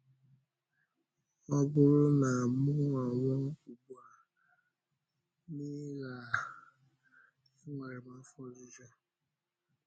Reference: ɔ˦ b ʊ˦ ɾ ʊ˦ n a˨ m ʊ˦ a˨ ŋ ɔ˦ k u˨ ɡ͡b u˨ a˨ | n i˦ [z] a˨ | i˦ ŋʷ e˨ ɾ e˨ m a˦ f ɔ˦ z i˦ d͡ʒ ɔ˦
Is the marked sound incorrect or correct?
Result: incorrect